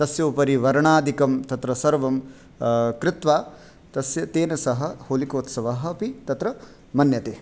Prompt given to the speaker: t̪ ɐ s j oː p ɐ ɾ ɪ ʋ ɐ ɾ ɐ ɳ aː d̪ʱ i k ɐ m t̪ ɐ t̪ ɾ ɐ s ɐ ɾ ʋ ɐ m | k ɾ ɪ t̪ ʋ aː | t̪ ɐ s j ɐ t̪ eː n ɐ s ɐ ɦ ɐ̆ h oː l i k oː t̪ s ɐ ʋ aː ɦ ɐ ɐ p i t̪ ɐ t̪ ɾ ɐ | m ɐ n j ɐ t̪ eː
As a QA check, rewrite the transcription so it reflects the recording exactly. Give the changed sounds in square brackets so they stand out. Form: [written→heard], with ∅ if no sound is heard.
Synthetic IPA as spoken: t̪ ɐ s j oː p ɐ ɾ [ɪ→i] ʋ ɐ ɾ ɐ ɳ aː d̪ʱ i k ɐ m t̪ ɐ t̪ ɾ ɐ s ɐ ɾ ʋ ɐ m | k ɾ ɪ t̪ ʋ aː | t̪ ɐ s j ɐ t̪ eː n ɐ s ɐ ɦ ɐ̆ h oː l i k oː t̪ s ɐ ʋ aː ɦ ɐ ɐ p i t̪ ɐ t̪ ɾ ɐ | m ɐ n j ɐ t̪ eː